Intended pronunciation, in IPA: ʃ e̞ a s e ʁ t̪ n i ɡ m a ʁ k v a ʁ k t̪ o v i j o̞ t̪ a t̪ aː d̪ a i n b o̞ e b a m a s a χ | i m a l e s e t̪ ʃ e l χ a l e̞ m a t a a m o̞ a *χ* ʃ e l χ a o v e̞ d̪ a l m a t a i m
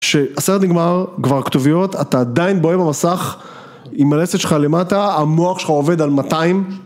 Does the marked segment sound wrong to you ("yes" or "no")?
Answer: no